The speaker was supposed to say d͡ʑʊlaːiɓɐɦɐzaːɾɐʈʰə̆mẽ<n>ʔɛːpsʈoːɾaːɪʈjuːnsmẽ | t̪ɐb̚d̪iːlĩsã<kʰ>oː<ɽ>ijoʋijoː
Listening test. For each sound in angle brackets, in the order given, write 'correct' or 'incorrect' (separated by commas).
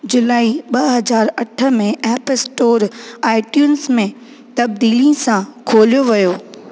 incorrect, correct, incorrect